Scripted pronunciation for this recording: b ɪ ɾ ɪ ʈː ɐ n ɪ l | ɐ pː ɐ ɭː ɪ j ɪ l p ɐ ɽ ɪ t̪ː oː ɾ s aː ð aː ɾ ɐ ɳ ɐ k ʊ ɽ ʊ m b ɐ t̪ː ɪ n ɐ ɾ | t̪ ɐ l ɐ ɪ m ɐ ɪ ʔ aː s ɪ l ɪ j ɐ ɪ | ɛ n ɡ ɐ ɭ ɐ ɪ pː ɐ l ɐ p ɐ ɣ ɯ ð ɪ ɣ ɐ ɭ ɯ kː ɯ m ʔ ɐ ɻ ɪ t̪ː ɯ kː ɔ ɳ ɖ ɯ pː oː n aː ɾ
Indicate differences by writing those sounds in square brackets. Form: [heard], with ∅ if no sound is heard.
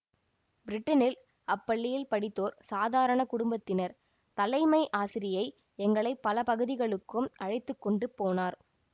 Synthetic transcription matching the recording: b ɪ ɾ ɪ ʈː ɐ n ɪ l | ɐ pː ɐ ɭː ɪ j ɪ l p ɐ ɽ ɪ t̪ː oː ɾ s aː ð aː ɾ ɐ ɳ ɐ k ʊ ɽ ʊ m b ɐ t̪ː ɪ n ɐ ɾ | t̪ ɐ l ɐ ɪ m ɐ ɪ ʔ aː s ɪ [ɾ] ɪ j ɐ ɪ | ɛ [ŋ] ɡ ɐ ɭ ɐ ɪ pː ɐ l ɐ p ɐ ɣ ɯ ð ɪ ɣ ɐ ɭ ɯ kː ɯ m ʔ ɐ ɻ ɪ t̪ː ɯ kː ɔ ɳ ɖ ɯ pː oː n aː ɾ